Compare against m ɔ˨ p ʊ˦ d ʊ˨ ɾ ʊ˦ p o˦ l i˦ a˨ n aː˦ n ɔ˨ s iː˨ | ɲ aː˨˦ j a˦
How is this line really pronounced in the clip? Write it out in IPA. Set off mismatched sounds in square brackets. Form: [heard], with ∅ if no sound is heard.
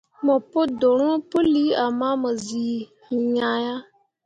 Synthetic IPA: m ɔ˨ p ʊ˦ d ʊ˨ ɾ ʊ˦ p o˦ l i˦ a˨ [m] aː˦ [m] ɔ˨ [z] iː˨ | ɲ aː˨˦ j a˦

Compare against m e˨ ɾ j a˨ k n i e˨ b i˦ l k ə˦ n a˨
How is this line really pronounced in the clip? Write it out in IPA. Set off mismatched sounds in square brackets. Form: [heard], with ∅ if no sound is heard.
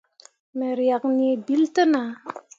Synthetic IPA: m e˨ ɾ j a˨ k n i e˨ b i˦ l [t] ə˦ n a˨

